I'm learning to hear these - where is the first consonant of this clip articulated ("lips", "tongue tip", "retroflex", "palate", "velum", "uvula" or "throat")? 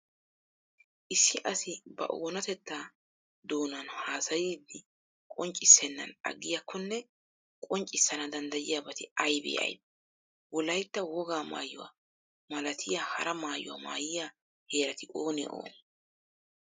throat